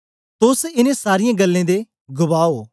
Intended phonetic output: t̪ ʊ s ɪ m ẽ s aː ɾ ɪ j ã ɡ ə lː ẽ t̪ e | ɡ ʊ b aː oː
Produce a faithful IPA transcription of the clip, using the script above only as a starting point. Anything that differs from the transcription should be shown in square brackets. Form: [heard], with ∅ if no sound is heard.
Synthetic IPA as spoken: t̪ ʊ s ɪ [n] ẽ s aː ɾ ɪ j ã ɡ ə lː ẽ [d̪] e | ɡ ʊ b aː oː